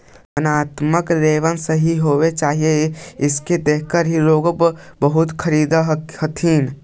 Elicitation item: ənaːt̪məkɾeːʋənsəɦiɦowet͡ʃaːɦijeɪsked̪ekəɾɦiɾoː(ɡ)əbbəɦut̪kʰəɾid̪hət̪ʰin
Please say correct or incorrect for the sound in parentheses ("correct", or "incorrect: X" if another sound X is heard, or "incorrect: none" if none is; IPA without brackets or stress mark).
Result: correct